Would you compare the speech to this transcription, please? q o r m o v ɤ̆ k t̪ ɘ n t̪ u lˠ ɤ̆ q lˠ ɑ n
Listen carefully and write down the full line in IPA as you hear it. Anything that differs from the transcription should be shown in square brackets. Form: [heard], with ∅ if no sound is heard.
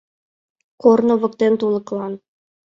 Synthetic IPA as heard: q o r [n] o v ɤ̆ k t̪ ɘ n t̪ u lˠ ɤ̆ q lˠ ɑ n